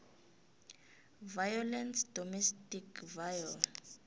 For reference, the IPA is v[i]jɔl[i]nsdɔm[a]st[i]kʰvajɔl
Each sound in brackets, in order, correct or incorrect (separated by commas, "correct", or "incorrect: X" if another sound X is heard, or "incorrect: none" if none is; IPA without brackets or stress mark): incorrect: a, incorrect: ɛ, incorrect: ɛ, correct